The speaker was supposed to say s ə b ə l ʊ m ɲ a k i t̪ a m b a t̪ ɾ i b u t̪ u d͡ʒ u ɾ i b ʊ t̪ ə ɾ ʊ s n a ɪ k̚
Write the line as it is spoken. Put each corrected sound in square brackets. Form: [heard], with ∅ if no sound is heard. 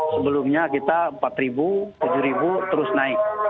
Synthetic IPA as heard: s ə b ə l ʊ m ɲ a k i t̪ a m [p] a t̪ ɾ i b u t̪ u d͡ʒ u ɾ i b [u] t̪ ə ɾ ʊ s n a ɪ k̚